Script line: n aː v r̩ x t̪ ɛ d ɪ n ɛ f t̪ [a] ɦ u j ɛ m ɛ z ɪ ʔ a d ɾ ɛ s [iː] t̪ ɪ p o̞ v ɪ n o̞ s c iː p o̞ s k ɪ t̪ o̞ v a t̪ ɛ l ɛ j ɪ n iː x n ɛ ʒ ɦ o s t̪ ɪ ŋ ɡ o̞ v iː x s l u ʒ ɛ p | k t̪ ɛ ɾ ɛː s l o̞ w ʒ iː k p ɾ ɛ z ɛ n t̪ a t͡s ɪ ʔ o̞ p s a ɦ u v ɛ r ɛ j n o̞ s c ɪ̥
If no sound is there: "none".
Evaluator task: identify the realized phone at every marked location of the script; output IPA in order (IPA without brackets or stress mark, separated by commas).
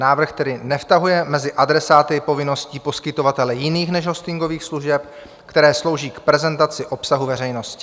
a, aː